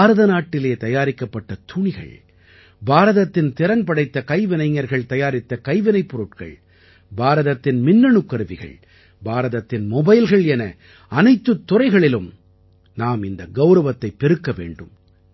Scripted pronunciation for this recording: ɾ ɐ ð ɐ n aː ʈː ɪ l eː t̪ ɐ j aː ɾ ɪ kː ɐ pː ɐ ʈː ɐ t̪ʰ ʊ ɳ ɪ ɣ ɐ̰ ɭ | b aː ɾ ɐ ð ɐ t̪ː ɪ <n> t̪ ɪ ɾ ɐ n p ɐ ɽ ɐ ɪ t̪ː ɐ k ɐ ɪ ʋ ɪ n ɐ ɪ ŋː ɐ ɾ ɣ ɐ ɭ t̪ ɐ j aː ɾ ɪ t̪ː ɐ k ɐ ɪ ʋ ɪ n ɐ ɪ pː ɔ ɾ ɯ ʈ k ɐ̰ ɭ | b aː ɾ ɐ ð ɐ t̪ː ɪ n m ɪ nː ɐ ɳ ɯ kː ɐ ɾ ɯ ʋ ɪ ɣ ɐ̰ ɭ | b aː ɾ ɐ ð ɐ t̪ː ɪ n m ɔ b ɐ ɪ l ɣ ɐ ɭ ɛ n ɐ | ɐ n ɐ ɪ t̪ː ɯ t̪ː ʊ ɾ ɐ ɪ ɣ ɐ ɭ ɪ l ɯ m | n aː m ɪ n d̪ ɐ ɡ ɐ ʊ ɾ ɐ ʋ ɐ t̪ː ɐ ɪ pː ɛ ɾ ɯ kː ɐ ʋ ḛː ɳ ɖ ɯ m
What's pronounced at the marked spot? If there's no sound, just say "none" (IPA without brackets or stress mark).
n